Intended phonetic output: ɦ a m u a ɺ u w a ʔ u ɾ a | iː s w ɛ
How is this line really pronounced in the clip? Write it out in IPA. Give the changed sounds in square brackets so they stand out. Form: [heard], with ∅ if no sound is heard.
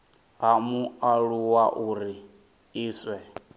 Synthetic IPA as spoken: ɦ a m u a ɺ u w a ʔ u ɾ [i] | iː s w ɛ